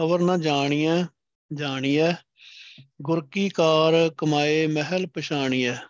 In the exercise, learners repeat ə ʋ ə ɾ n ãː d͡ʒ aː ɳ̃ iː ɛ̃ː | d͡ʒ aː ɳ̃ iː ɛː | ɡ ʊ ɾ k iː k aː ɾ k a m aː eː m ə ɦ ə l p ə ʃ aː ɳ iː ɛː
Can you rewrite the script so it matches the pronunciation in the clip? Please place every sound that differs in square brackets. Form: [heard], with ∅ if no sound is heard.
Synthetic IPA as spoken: ə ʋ ə ɾ n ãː d͡ʒ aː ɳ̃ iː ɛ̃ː | d͡ʒ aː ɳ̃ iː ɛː | ɡ ʊ ɾ k iː k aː ɾ k [ə] m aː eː m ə ɦ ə l p ə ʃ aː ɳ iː ɛː